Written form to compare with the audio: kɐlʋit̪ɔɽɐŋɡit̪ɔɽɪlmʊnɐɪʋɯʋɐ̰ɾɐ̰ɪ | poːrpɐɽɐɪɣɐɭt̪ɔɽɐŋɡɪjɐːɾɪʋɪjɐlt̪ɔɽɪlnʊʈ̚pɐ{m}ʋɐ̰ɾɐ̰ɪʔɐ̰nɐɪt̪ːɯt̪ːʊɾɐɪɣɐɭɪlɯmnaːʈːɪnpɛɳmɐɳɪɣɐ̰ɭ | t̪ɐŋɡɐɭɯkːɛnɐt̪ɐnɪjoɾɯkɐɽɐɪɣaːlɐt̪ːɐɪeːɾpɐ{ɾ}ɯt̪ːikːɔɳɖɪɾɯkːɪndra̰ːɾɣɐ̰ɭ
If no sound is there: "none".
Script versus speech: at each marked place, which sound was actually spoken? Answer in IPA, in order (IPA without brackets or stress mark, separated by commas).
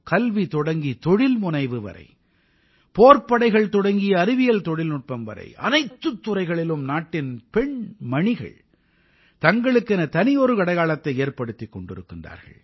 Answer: m, ɽ